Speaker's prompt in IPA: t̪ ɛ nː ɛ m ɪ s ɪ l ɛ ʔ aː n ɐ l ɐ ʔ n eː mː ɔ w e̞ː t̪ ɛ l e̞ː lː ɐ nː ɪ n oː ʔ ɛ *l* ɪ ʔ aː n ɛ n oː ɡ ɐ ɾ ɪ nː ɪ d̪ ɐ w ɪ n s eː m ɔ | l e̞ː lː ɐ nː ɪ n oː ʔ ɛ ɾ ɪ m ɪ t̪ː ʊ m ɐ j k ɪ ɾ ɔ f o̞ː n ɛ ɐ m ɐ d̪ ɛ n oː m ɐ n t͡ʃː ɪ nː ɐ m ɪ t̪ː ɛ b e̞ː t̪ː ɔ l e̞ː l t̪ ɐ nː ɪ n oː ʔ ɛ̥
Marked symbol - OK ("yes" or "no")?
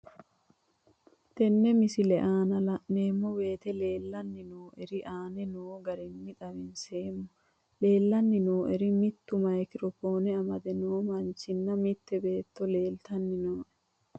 no